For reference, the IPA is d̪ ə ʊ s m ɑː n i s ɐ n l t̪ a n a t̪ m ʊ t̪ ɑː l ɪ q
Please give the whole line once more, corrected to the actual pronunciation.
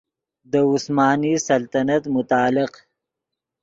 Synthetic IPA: d̪ ə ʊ s m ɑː n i s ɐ l t̪ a n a t̪ m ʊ t̪ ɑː l ɪ q